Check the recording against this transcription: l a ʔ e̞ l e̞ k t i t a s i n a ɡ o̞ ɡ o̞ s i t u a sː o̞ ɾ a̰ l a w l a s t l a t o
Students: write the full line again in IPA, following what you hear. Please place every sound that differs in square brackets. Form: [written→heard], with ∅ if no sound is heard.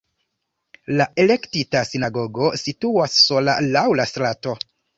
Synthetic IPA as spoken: l a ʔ e̞ l e̞ k t i t a s i n a ɡ o̞ ɡ o̞ s i t u a sː o̞ [ɾ→l] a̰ l a w l a s t [l→ɾ] a t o